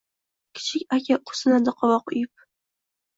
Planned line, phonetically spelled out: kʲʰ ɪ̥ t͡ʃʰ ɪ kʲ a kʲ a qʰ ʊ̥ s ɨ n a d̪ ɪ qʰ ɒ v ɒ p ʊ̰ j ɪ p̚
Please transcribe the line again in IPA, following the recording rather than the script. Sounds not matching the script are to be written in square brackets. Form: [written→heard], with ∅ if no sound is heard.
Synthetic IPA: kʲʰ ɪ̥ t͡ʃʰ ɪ kʲ a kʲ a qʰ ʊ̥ s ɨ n a d̪ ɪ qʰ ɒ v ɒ [p→q] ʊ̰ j ɪ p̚